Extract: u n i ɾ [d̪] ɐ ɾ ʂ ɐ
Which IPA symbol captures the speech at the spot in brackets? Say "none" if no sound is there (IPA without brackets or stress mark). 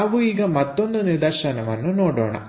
d̪